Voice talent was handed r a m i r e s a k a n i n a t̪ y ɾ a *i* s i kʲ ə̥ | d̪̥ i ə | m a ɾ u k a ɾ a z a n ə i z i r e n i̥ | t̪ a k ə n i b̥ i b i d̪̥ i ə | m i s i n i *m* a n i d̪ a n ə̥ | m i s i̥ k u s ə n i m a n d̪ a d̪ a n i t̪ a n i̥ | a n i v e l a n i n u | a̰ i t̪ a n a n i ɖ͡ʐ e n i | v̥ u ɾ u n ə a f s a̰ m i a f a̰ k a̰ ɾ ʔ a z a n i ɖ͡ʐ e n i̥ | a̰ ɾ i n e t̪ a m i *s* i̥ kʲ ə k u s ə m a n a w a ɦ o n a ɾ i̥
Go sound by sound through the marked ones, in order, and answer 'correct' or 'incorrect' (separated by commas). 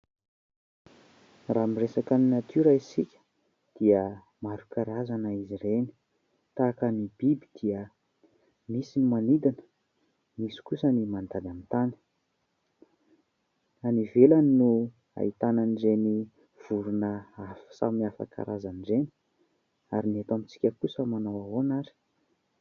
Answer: correct, correct, incorrect